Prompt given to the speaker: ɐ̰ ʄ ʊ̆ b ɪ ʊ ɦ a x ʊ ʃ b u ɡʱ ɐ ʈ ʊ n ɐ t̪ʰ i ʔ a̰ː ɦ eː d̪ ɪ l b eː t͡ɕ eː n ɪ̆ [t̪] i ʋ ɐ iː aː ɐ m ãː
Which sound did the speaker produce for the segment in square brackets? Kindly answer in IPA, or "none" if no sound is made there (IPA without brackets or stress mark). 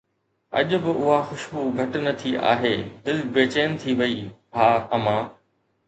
t̪ʰ